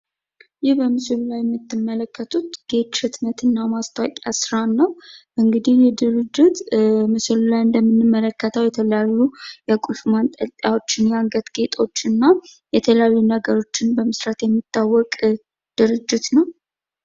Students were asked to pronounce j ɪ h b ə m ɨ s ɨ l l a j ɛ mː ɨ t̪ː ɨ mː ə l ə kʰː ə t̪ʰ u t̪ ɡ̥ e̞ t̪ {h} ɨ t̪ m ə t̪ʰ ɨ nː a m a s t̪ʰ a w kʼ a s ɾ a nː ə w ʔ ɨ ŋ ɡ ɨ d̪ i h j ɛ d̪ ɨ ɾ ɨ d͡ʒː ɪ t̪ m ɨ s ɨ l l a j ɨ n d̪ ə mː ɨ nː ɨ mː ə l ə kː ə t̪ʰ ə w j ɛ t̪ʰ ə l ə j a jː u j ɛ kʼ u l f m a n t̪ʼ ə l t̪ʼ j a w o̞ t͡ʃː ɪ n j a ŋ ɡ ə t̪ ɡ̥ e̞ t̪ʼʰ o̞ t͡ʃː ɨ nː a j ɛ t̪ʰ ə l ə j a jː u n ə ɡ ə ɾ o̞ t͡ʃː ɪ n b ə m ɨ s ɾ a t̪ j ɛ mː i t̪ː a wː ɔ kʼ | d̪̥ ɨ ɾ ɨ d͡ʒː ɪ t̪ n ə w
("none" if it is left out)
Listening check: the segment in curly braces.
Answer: ʃ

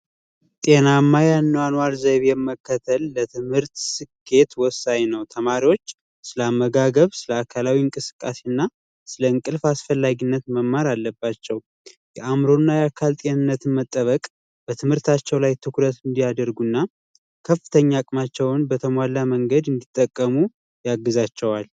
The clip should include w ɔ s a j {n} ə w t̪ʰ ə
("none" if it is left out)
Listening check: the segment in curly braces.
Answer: n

